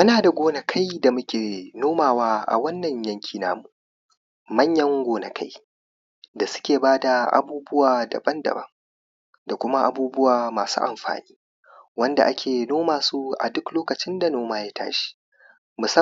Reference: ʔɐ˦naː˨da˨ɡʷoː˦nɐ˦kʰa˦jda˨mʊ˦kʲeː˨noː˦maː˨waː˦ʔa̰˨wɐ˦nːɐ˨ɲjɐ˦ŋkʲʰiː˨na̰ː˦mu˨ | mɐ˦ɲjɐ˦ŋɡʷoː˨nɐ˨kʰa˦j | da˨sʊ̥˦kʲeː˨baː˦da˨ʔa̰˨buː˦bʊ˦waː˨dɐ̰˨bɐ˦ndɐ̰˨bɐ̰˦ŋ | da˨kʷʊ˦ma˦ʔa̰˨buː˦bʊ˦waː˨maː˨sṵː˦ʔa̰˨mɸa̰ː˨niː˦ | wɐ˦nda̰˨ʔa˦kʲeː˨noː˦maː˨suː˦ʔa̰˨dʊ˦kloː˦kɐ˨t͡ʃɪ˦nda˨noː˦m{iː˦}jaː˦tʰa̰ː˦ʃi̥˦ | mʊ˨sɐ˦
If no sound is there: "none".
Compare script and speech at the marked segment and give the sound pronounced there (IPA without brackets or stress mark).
aː˦